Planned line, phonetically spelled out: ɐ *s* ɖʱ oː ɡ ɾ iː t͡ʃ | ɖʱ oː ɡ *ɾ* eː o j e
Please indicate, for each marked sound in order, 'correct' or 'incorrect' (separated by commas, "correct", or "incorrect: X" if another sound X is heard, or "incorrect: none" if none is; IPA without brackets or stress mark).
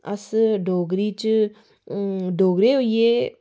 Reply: correct, correct